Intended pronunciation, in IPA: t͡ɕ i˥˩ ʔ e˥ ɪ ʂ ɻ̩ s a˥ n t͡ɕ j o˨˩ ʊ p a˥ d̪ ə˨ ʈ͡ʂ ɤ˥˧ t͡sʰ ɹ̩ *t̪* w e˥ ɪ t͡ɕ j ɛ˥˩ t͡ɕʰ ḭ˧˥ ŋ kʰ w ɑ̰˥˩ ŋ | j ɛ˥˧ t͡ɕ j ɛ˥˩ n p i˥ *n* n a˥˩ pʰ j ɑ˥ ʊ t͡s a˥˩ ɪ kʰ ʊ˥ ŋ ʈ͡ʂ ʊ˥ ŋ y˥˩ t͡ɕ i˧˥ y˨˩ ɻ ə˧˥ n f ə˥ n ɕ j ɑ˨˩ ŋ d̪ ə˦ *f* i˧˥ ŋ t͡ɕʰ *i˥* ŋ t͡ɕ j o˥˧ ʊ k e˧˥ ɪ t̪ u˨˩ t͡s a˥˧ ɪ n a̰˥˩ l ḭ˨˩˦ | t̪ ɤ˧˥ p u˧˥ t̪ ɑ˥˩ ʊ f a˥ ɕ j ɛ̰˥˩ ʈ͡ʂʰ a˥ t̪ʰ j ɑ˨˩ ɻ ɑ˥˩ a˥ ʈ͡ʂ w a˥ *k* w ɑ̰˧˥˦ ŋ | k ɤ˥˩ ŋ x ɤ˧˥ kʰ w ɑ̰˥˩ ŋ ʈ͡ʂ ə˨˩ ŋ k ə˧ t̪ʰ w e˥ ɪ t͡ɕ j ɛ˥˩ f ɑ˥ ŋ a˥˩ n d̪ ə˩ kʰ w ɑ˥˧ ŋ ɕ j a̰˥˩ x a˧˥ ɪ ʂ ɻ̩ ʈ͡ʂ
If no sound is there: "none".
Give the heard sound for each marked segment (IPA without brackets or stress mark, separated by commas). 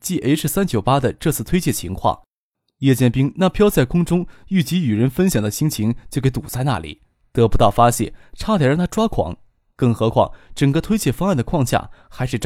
t̪ʰ, ŋ, ɕ, i˧˥, kʰ